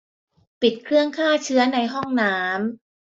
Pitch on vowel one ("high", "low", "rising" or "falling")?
low